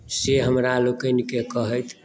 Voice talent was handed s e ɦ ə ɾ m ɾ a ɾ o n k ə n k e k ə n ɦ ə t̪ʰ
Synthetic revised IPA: s e ɦ ə m ɾ a l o k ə n k e k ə ɦ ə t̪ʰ